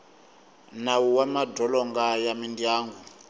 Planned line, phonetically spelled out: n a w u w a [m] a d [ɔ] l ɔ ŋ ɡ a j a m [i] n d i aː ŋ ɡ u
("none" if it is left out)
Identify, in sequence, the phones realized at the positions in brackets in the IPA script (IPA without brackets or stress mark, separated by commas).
m, ɔ, i